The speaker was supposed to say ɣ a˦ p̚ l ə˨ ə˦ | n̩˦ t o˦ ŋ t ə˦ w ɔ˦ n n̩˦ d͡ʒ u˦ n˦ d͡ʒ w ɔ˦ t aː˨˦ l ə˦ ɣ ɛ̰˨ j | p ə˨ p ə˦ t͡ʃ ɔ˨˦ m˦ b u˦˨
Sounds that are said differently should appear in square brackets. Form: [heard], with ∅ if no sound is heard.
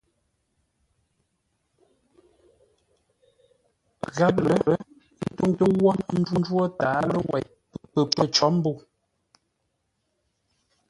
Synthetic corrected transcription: ɣ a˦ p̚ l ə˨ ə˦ | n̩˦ t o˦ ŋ t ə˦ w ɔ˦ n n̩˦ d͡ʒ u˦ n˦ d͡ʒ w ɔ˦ t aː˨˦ l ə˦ [w] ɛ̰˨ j | p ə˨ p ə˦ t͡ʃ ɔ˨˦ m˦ b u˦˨

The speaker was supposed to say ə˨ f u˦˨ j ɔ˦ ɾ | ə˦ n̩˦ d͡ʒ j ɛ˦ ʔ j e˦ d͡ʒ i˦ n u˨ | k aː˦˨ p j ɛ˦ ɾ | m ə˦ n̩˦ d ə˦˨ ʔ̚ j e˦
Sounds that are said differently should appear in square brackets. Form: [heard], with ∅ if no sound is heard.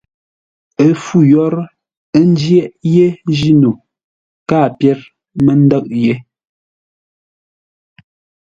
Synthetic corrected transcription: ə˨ f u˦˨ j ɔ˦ ɾ | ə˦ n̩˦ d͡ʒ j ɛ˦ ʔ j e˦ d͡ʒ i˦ n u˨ | k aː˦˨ p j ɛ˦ ɾ | m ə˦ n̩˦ d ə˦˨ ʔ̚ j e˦

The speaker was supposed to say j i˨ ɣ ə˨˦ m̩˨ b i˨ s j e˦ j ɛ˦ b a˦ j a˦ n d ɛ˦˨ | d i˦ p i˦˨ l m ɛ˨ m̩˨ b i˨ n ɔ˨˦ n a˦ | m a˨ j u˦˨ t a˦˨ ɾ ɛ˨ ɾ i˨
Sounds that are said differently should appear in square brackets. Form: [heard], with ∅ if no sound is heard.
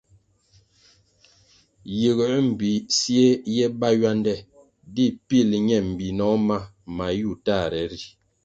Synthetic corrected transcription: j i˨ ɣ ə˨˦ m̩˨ b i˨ s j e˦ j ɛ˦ b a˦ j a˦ n d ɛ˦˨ | d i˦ p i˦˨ l [ɲ] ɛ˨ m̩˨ b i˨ n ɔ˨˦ [m] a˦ | m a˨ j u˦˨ t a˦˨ ɾ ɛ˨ ɾ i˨

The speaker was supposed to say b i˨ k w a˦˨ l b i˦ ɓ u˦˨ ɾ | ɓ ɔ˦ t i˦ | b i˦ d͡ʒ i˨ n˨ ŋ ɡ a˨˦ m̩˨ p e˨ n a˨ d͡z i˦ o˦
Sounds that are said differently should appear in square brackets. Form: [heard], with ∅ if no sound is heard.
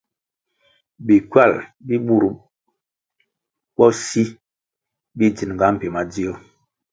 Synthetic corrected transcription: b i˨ k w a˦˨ l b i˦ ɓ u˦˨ ɾ | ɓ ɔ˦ [s] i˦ | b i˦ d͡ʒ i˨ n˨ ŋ ɡ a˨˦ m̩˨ p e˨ [m] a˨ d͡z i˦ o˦

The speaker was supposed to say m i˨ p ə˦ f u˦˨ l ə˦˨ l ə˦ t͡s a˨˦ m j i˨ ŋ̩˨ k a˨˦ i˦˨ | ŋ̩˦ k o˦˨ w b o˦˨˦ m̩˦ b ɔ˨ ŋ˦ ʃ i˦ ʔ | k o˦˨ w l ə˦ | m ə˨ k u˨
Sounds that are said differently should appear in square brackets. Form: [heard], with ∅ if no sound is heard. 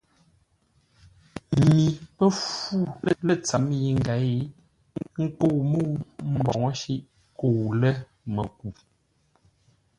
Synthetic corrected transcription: m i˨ p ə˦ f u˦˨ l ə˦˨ l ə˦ t͡s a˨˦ m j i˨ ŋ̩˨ [ɡ] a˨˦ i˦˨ | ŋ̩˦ k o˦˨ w [m] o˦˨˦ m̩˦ b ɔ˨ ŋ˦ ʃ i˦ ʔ | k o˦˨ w l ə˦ | m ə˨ k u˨

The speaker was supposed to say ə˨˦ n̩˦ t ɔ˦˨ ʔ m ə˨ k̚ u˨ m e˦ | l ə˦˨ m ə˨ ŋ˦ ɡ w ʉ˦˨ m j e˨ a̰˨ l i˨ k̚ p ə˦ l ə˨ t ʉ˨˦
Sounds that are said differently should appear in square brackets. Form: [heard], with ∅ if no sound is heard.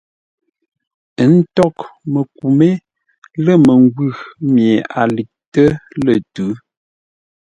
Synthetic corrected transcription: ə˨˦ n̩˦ t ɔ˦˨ [k] m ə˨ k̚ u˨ m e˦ | l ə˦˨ m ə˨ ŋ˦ ɡ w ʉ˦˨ m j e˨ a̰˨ l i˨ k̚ [t] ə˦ l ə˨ t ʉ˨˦

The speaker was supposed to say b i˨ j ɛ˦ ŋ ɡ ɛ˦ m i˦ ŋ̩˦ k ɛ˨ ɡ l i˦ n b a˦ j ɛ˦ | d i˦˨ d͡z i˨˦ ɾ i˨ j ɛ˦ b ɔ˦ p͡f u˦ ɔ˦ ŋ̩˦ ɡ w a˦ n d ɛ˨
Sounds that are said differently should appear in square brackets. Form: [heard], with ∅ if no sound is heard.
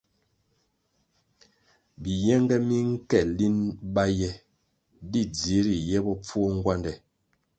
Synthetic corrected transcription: b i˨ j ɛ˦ ŋ ɡ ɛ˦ m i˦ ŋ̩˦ k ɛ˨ [∅] l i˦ n b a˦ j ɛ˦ | d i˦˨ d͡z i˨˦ ɾ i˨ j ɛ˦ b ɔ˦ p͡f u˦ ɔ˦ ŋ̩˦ ɡ w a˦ n d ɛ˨

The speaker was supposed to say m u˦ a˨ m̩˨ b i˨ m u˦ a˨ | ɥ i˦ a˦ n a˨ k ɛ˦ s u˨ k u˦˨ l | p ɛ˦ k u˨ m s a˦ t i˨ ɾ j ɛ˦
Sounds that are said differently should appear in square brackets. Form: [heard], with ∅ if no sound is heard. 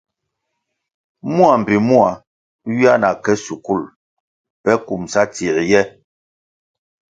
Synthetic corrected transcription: m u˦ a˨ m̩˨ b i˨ m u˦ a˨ | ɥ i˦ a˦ n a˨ k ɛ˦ s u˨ k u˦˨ l | p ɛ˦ k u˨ m s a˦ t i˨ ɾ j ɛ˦

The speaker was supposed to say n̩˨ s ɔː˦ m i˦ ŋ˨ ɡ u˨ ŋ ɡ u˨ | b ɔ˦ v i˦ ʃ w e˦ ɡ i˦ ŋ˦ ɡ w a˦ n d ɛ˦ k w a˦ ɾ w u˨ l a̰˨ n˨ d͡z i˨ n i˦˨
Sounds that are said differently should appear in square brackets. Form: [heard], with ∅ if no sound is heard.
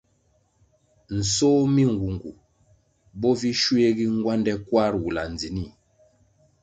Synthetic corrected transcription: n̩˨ s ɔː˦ m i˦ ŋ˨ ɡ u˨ ŋ ɡ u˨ | b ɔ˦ v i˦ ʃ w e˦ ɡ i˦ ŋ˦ ɡ w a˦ n d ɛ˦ k w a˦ ɾ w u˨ l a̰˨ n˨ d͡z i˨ n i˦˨

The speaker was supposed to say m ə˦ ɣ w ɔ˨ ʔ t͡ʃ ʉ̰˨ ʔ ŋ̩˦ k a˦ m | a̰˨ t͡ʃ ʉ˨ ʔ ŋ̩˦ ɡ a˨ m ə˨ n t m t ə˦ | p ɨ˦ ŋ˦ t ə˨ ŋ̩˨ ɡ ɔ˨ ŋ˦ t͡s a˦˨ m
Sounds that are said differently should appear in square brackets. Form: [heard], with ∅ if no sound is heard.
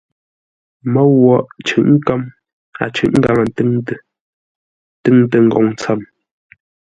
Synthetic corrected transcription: m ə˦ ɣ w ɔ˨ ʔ t͡ʃ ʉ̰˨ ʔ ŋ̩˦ k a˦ m | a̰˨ t͡ʃ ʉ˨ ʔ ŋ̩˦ ɡ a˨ [ŋ] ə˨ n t [ŋ] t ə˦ | [t] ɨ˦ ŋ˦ t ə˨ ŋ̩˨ ɡ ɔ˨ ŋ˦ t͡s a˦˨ m

